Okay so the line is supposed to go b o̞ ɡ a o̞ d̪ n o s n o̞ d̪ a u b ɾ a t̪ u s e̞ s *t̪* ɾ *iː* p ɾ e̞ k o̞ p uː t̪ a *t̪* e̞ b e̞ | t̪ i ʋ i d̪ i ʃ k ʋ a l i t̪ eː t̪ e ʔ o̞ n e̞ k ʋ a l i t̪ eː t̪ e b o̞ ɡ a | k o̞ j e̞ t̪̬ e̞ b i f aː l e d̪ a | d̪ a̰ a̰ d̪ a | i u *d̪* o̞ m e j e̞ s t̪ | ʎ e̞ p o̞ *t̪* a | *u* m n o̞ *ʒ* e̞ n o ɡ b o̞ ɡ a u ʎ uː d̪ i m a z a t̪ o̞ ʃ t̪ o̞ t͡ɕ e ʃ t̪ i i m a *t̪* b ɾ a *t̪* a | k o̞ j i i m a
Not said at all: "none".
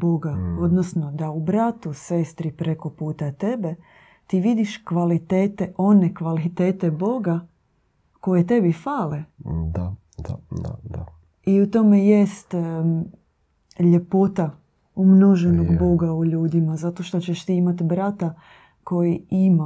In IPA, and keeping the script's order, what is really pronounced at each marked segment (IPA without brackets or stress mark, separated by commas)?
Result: t̪, i, t̪, t̪, t̪, u, ʒ, t̪, t̪